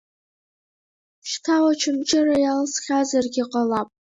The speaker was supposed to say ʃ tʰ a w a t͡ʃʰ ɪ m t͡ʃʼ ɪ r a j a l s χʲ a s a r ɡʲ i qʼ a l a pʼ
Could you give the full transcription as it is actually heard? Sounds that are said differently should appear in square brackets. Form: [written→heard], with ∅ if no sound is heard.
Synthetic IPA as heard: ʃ tʰ a w a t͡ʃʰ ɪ m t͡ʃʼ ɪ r a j a l s χʲ a [s→z] a r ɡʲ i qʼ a l a pʼ